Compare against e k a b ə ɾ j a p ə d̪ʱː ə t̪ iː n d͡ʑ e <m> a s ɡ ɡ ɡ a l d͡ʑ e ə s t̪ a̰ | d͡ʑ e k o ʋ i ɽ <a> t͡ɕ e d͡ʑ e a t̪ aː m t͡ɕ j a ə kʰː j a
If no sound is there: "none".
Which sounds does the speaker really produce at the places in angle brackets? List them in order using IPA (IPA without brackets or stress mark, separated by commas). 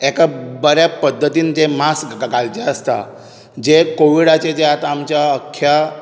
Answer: m, a